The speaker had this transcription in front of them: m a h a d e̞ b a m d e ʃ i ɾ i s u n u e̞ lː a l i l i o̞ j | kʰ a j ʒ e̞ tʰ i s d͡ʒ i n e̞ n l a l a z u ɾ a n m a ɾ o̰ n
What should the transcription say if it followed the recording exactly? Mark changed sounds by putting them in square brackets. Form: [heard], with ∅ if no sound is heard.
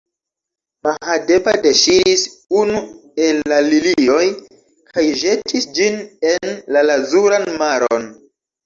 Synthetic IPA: m a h a d e̞ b a [∅] d e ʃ i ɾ i s u n u e̞ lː a l i l i o̞ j | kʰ a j ʒ e̞ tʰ i s d͡ʒ i n e̞ n l a l a z u ɾ a n m a ɾ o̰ n